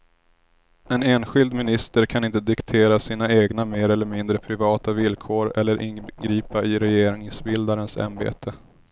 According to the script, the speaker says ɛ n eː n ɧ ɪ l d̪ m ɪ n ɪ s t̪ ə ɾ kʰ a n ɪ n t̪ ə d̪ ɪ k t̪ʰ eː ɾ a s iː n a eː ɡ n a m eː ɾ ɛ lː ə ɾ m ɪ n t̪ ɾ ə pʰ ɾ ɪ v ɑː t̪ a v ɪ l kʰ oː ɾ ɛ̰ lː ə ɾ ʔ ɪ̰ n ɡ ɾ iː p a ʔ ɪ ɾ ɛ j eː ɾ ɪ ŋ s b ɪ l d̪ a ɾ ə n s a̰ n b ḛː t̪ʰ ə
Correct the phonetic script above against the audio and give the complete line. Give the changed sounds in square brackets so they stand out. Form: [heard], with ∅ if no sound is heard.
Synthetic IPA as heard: ɛ n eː n ɧ ɪ l d̪ m ɪ n ɪ s t̪ ə ɾ kʰ a n ɪ n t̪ ə d̪ ɪ k t̪ʰ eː ɾ a s iː n a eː ɡ n a m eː ɾ ɛ lː ə ɾ m ɪ n [d̪] ɾ ə pʰ ɾ ɪ v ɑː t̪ a v ɪ l kʰ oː ɾ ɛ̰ lː ə ɾ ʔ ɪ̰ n ɡ ɾ iː p a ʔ ɪ ɾ ɛ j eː ɾ ɪ ŋ s b ɪ l d̪ a ɾ ə n s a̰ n b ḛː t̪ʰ ə